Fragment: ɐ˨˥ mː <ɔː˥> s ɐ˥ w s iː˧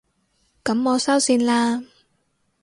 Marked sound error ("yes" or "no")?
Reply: yes